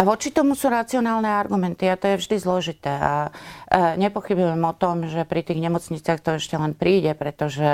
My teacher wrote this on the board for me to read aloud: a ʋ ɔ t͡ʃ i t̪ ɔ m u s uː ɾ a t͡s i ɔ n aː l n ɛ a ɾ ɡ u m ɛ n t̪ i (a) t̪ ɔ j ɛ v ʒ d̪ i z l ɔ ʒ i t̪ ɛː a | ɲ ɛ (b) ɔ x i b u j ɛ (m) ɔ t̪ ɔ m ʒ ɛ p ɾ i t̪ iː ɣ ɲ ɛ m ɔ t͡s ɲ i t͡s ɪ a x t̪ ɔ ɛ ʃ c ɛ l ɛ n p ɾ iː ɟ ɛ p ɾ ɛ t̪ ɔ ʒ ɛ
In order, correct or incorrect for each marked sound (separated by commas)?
correct, incorrect, correct